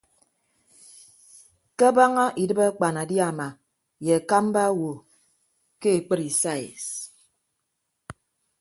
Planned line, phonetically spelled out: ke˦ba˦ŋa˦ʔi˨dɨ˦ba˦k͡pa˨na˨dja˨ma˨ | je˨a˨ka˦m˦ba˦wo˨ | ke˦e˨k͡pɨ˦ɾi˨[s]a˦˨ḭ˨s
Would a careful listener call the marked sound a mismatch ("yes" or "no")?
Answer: no